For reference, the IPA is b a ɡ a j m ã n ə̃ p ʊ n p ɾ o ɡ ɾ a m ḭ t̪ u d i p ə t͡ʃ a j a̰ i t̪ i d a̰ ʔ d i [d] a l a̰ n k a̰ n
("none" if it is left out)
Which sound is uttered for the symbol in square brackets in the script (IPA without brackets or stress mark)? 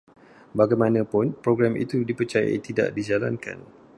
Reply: d͡ʒ